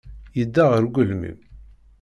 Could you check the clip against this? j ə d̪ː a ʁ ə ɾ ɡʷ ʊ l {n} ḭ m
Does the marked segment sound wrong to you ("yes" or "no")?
yes